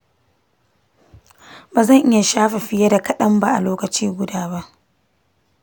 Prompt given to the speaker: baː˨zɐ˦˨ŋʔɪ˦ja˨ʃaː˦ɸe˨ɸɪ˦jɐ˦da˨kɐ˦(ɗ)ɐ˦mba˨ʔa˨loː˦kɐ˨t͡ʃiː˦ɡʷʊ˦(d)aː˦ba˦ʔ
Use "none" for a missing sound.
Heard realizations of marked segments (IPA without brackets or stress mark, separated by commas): ɗ, d